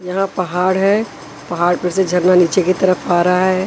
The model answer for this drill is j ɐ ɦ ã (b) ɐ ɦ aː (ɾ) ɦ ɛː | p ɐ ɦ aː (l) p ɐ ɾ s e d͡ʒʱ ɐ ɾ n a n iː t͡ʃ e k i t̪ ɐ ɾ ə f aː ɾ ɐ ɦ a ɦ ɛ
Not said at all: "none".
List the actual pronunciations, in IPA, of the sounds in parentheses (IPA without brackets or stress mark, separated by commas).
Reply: p, ɽ, ɽ